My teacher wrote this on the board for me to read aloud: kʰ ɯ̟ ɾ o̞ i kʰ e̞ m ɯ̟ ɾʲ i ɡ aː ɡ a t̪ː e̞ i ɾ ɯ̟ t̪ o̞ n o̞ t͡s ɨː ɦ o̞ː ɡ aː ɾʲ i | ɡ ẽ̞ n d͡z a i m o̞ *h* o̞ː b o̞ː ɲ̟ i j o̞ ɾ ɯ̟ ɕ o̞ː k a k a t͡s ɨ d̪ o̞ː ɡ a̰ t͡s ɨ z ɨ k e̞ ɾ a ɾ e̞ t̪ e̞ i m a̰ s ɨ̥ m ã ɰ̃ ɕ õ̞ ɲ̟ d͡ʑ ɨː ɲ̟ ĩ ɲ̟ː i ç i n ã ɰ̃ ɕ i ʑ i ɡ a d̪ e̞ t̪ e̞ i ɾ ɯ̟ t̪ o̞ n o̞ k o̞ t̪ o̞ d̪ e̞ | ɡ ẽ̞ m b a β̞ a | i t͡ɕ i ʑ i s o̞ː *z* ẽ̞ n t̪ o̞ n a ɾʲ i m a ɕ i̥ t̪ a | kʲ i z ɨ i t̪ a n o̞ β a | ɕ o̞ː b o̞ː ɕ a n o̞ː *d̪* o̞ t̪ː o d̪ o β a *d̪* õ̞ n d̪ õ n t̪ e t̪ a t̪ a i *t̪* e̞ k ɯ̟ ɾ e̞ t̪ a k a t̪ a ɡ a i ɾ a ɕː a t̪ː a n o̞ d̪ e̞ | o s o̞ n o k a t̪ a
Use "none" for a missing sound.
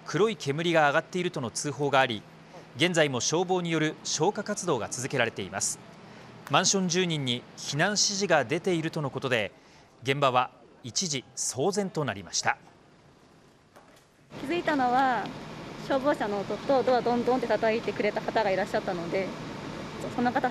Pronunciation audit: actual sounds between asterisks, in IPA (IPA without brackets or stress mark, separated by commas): ɕ, z, t̪, d̪, t̪